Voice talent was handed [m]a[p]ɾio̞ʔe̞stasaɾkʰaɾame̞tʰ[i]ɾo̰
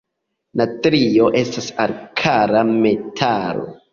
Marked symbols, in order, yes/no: no, no, no

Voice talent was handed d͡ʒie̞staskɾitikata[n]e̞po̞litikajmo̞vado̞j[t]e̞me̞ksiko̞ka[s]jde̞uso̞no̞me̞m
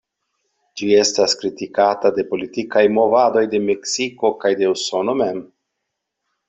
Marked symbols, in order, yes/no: no, no, no

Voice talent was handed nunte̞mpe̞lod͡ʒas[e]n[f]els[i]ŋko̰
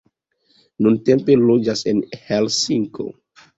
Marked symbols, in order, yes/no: yes, no, yes

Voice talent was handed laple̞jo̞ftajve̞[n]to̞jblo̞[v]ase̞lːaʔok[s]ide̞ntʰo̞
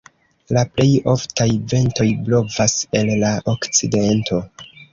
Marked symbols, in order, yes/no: yes, yes, no

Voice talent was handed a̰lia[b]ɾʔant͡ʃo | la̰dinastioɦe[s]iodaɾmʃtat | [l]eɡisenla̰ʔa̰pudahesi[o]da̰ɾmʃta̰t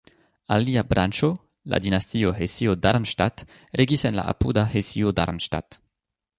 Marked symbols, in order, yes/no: yes, yes, no, yes

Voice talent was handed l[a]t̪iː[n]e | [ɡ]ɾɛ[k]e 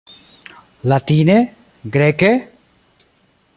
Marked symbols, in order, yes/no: yes, yes, yes, yes

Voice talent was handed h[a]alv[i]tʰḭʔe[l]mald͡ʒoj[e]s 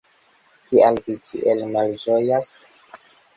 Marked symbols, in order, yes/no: no, yes, yes, no

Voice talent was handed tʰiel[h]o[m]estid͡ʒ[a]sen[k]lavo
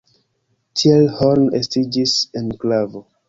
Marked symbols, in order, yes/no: yes, no, no, yes

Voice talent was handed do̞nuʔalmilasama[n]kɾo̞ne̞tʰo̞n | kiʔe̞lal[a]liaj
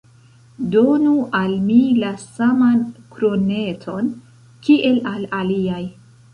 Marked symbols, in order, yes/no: yes, yes

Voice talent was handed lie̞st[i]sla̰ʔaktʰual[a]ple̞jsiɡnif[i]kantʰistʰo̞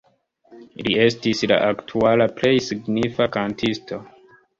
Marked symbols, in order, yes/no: yes, yes, no

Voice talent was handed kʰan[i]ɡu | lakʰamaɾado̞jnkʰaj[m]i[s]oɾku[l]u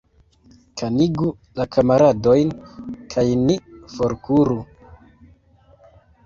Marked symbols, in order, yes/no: yes, no, no, no

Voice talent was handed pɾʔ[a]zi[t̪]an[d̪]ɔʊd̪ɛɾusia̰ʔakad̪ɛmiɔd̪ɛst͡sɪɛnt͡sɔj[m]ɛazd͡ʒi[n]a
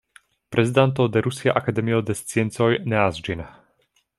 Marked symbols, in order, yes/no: no, no, no, no, yes

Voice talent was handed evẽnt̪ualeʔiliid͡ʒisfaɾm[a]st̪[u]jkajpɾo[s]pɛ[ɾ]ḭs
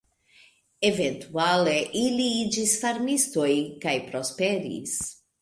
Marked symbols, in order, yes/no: no, no, yes, yes

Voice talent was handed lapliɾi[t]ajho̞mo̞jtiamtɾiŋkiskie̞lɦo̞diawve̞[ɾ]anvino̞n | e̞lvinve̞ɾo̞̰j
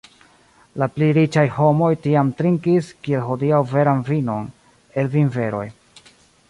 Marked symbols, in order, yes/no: no, yes

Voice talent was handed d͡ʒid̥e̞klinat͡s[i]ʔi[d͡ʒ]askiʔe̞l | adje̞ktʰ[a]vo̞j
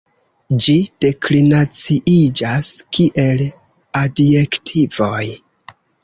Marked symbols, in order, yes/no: yes, yes, no

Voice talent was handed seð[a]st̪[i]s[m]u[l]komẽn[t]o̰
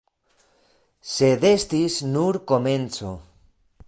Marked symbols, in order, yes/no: no, yes, no, no, no

